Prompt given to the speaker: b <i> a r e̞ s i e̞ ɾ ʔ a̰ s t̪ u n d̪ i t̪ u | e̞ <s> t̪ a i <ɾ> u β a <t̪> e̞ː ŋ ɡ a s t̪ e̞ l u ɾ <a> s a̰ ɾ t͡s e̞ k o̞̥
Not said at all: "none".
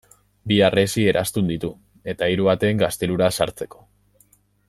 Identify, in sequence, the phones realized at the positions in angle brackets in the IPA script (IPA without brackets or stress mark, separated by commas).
i, none, ɾ, t̪, a